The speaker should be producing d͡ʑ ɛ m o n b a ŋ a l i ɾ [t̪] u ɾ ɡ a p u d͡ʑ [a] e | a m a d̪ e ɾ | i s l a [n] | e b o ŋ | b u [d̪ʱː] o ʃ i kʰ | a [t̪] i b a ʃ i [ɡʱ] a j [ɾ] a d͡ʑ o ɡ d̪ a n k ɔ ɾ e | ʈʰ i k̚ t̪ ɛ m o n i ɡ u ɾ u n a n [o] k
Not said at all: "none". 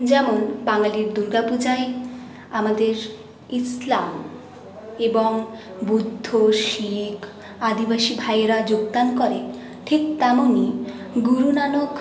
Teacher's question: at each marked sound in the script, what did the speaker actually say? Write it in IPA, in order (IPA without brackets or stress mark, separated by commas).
d̪, a, m, d̪ʱː, d̪, bʱ, ɾ, o